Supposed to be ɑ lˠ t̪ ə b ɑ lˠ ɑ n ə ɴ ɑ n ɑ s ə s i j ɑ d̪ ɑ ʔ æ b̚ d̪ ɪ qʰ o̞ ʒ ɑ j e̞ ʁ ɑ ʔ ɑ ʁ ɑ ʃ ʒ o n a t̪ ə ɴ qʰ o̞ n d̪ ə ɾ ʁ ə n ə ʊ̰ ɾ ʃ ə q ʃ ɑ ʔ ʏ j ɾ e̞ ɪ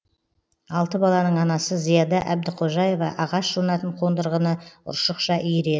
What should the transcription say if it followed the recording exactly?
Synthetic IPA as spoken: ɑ lˠ t̪ ə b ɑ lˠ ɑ n ə ɴ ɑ n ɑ s ə z i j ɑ d̪ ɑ ʔ æ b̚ d̪ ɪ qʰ o̞ ʒ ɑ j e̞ v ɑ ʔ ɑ ʁ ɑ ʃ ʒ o n ɑ t̪ ə ɴ qʰ o̞ n d̪ ə ɾ ʁ ə n ə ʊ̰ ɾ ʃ ə q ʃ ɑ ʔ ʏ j ɾ e̞ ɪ